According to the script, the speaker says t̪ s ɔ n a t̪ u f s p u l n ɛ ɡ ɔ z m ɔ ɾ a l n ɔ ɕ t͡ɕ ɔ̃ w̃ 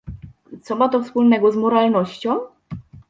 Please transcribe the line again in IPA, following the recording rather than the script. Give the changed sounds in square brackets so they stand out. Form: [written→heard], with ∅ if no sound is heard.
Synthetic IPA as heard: t̪ s ɔ [n→m] a t̪ [u→ɔ] f s p u l n ɛ ɡ ɔ z m ɔ ɾ a l n ɔ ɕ t͡ɕ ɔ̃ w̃